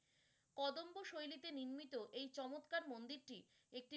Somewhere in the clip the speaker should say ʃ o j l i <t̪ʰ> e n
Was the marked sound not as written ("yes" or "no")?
yes